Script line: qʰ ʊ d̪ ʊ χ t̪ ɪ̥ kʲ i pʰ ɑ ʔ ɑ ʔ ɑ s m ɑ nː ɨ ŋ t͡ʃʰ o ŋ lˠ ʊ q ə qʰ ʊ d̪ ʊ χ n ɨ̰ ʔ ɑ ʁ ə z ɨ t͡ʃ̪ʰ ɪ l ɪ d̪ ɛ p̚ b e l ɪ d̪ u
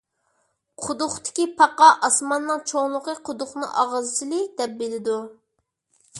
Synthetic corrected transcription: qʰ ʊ d̪ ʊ χ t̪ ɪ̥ kʲ i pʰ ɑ q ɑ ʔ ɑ s m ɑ nː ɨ ŋ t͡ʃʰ o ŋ lˠ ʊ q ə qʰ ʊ d̪ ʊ χ n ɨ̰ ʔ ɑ ʁ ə z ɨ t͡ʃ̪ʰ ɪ l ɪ d̪ ɛ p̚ b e l ɪ d̪ u